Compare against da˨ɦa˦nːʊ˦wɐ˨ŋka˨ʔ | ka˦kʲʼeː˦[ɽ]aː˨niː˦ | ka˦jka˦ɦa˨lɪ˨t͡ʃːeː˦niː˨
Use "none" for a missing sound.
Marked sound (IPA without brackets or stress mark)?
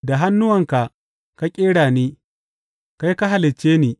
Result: ɽ